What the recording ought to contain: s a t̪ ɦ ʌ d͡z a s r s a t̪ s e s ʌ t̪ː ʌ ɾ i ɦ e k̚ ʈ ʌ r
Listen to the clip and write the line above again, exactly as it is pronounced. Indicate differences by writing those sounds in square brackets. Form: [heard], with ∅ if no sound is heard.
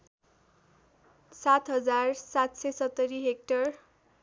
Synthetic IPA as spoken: s a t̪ ɦ ʌ d͡z a [∅] r s a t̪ s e s ʌ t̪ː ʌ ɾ i ɦ e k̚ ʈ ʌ r